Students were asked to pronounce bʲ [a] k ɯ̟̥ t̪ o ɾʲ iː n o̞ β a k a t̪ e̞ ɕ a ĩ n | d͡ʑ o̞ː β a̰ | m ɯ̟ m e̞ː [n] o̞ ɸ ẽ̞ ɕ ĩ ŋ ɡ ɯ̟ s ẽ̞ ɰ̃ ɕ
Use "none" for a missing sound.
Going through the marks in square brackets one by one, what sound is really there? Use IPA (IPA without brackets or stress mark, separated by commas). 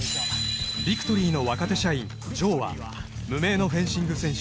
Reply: i, n